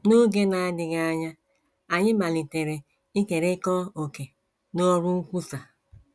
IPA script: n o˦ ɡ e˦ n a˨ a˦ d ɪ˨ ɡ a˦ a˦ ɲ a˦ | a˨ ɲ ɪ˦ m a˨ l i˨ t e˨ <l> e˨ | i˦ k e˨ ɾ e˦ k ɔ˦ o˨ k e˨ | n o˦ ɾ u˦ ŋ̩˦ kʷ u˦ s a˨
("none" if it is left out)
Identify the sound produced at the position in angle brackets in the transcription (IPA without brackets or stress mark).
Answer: ɾ